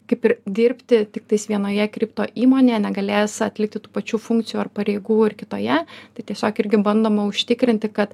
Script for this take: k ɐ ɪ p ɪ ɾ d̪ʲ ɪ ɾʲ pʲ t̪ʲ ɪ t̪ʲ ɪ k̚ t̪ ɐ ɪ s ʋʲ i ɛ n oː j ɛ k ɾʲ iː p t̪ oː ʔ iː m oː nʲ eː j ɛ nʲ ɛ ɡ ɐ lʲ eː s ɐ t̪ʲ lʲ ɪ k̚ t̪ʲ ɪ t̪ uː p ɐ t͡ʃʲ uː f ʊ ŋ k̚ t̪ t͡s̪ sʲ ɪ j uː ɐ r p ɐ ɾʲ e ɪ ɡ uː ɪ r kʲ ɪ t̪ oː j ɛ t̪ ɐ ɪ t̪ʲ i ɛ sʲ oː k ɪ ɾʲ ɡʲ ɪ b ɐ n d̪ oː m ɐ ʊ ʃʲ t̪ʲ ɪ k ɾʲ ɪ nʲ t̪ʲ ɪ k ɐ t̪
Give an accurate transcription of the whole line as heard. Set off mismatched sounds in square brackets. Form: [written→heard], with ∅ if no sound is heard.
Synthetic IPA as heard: k ɐ ɪ p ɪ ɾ d̪ʲ ɪ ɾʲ pʲ t̪ʲ ɪ t̪ʲ ɪ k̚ t̪ ɐ ɪ s ʋʲ i ɛ n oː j ɛ k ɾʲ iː p t̪ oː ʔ iː m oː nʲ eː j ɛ nʲ ɛ ɡ ɐ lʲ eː s ɐ t̪ʲ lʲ ɪ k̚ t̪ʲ ɪ t̪ uː p ɐ t͡ʃʲ uː f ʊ ŋ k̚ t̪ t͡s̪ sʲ ɪ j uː ɐ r p ɐ ɾʲ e ɪ ɡ uː ɪ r kʲ ɪ t̪ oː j ɛ t̪ ɐ ɪ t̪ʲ i ɛ sʲ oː k ɪ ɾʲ ɡʲ ɪ b ɐ n d̪ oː m ɐ ʊ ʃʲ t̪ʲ ɪ k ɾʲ ɪ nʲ t̪ʲ ɪ k ɐ t̪